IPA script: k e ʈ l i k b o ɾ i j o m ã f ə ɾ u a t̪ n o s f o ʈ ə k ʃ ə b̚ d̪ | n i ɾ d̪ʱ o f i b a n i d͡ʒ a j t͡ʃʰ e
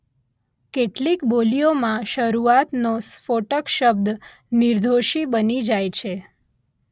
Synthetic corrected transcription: k e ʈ l i k b o l i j o m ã ʃ ə ɾ u a t̪ n o s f o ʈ ə k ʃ ə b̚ d̪ | n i ɾ d̪ʱ o ʃ i b ə n i d͡ʒ a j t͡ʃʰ e